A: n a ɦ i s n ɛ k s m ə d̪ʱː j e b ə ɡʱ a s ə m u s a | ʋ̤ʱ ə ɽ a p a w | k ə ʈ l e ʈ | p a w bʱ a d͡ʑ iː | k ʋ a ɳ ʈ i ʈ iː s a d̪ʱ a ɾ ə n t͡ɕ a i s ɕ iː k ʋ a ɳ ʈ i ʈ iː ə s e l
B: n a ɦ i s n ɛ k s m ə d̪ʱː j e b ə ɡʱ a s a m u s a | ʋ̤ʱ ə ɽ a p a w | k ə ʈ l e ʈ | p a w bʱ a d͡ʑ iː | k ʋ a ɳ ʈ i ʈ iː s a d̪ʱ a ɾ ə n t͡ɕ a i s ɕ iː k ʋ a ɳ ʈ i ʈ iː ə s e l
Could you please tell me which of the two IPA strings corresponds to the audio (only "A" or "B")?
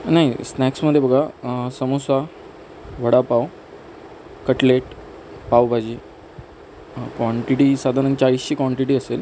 A